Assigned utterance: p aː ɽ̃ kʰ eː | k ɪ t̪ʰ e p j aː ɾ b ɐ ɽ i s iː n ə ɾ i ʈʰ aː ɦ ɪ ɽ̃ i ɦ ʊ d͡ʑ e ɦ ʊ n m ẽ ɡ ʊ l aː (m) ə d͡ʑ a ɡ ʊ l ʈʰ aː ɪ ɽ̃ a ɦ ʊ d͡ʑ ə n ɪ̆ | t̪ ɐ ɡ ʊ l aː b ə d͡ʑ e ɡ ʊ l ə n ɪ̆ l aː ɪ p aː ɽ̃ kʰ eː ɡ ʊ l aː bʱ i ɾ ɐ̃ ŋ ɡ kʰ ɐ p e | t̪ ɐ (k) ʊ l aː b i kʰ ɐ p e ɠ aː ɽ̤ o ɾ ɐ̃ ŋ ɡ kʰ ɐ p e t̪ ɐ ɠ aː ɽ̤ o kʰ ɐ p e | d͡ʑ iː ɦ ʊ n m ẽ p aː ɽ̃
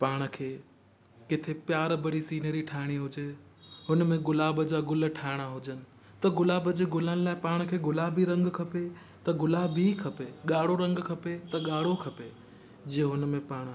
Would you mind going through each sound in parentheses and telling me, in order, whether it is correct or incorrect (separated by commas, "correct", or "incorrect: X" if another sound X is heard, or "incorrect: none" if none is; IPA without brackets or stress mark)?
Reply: incorrect: b, incorrect: ɡ